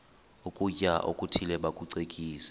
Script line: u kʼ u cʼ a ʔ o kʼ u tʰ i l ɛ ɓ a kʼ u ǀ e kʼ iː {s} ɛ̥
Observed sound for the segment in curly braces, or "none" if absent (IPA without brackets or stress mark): s